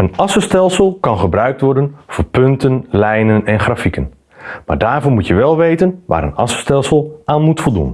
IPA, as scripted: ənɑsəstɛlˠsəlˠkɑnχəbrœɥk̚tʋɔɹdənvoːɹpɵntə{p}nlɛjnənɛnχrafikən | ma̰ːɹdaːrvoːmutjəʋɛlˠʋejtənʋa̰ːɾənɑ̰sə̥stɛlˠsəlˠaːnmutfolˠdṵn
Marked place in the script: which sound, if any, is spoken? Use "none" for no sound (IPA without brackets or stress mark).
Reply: none